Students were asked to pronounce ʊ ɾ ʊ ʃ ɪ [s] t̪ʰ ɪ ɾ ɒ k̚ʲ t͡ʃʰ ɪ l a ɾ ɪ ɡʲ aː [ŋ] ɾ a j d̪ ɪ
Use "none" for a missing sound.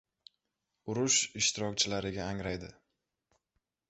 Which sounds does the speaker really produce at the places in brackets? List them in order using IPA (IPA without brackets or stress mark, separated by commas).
ʃ, ŋ